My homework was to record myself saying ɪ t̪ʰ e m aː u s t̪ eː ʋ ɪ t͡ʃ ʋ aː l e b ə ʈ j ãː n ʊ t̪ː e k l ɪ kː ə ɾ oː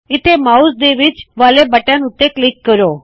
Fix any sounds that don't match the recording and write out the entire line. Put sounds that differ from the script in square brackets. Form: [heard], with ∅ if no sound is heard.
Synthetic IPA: ɪ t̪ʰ e m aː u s [d̪] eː ʋ ɪ t͡ʃ ʋ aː l e b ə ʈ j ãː n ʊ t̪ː e k l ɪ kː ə ɾ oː